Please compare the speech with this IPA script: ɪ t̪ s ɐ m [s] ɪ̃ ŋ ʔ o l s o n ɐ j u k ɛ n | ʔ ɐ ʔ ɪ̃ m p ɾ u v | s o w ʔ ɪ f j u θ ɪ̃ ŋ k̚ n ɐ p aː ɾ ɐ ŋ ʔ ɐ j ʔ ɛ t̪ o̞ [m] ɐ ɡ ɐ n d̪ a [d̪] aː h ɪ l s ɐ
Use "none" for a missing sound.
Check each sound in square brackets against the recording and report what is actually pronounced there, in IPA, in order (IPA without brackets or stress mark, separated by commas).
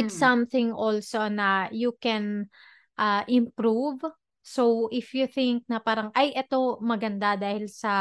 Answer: θ, m, d̪